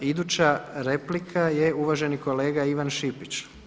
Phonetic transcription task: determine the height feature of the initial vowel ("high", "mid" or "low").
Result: high